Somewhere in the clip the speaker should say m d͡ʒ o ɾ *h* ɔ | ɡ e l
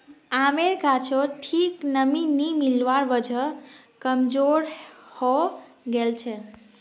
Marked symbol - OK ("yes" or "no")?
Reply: yes